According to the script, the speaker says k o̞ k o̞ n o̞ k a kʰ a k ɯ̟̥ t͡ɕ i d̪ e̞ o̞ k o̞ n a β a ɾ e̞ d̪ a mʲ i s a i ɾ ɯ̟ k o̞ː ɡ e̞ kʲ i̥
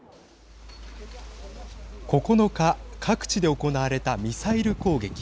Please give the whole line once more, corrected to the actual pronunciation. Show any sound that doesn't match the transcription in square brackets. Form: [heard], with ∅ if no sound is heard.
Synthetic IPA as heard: k o̞ k o̞ n o̞ k a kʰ a k ɯ̟̥ t͡ɕ i d̪ e̞ o̞ k o̞ n a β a ɾ e̞ [t̪] a mʲ i s a i ɾ ɯ̟ k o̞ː ɡ e̞ kʲ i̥